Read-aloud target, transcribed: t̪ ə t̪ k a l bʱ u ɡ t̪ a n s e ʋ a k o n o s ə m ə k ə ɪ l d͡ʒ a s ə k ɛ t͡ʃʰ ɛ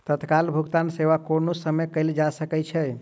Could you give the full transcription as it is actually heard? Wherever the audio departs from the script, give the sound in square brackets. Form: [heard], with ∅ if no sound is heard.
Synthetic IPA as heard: t̪ ə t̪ k a l bʱ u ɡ t̪ a n s e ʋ a k o n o s ə m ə k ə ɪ l d͡ʒ a s ə k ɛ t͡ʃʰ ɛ